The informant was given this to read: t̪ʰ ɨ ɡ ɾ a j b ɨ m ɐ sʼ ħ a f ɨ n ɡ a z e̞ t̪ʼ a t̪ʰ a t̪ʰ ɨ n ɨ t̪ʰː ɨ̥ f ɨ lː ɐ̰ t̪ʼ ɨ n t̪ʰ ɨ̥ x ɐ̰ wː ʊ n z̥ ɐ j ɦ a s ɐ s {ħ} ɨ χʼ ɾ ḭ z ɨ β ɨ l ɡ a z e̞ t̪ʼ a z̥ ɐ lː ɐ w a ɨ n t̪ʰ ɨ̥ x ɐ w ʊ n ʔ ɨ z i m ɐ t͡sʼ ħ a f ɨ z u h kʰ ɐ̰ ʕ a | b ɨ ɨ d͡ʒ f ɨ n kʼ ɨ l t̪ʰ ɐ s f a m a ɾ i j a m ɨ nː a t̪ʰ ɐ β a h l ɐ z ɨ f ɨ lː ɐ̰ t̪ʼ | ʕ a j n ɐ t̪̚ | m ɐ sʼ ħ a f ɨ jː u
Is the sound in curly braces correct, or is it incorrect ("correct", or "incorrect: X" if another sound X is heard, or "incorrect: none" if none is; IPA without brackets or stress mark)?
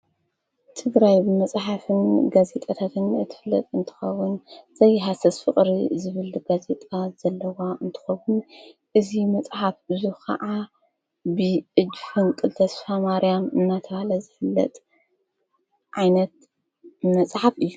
incorrect: f